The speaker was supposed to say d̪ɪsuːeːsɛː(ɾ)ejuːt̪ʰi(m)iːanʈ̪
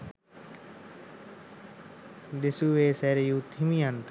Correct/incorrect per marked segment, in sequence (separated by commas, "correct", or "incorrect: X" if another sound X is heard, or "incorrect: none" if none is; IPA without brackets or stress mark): correct, correct